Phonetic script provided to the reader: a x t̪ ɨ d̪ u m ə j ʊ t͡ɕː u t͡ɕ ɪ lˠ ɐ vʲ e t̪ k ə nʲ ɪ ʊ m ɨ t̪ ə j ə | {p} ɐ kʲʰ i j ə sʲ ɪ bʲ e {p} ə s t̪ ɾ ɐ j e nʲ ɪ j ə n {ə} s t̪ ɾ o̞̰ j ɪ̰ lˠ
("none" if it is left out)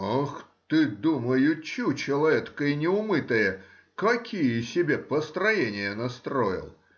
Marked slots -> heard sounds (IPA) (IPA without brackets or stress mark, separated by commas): k, p, ɐ